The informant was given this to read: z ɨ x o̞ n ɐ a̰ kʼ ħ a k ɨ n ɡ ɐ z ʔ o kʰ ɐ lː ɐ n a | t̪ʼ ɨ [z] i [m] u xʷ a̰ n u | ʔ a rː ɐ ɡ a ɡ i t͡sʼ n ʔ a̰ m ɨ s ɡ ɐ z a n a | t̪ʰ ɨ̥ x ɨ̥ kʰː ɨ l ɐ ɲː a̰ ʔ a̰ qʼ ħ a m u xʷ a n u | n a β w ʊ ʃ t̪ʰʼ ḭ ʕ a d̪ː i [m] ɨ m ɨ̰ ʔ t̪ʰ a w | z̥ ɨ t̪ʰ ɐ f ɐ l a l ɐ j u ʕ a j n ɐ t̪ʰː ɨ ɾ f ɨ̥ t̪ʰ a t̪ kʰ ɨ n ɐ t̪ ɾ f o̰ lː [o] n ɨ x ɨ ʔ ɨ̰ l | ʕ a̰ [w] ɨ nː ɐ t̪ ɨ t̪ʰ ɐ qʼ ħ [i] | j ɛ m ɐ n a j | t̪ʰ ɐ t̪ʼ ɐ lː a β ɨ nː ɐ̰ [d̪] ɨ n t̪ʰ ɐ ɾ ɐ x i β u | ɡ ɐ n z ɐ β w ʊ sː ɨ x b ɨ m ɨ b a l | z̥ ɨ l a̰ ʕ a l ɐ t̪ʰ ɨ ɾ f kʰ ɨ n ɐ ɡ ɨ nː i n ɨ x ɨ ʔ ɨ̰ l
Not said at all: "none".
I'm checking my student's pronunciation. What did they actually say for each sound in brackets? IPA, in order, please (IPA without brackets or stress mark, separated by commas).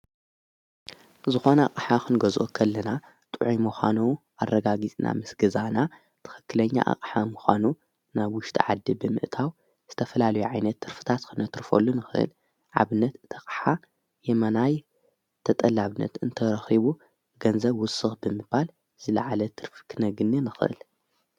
ʕ, m, b, u, β, a, t̪